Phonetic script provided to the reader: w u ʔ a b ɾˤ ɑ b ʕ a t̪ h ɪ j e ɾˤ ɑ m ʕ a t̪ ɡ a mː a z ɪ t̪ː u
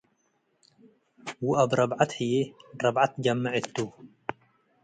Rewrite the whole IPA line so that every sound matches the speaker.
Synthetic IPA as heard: w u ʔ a b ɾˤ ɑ b ʕ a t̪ h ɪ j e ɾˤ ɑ b ʕ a t̪ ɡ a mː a ʕ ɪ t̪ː u